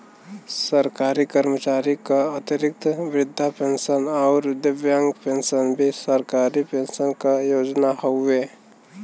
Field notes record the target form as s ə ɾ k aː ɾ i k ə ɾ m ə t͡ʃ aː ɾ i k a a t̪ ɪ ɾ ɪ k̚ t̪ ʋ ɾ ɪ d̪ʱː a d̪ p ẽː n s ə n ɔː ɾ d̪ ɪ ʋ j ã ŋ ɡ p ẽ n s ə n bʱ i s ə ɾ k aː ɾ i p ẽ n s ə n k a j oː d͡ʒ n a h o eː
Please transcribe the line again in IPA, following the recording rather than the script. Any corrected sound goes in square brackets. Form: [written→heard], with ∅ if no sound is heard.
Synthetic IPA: s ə ɾ k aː ɾ i k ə ɾ m ə t͡ʃ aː ɾ i k a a t̪ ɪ ɾ ɪ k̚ t̪ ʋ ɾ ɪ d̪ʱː a [d̪→∅] p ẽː n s ə n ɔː ɾ d̪ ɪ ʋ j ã ŋ ɡ p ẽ n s ə n bʱ i s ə ɾ k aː ɾ i p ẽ n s ə n k a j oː d͡ʒ n a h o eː